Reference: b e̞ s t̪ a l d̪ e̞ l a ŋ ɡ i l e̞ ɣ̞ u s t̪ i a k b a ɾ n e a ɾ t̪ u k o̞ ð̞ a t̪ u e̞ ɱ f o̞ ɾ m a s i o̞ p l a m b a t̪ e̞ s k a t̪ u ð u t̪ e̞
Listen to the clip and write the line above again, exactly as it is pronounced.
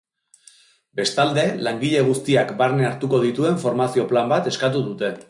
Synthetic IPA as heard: b e̞ s t̪ a l d̪ e̞ l a ŋ ɡ i ʎ e̞ ɣ̞ u s t̪ i a k b a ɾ n e a ɾ t̪ u k o̞ ð̞ i t̪ u e̞ ɱ f o̞ ɾ m a s i o̞ p l a m b a t̪ e̞ s k a t̪ u ð u t̪ e̞